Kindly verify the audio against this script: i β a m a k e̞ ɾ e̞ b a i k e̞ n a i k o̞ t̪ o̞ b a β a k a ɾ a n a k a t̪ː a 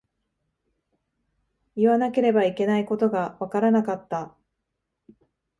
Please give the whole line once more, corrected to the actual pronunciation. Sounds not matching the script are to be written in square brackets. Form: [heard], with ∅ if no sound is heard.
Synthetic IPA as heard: i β a [n] a k e̞ ɾ e̞ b a i k e̞ n a i k o̞ t̪ o̞ [ɡ] a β a k a ɾ a n a k a t̪ː a